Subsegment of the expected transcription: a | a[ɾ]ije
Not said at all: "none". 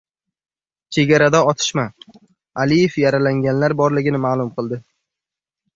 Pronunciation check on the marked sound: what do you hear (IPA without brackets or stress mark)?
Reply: l